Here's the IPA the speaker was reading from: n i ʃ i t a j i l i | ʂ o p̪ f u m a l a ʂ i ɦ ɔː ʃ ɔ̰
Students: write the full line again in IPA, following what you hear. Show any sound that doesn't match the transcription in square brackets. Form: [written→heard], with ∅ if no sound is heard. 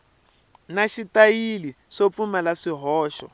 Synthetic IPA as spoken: n [i→a] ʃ i t a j i l i | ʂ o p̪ f u m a l a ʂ i ɦ ɔː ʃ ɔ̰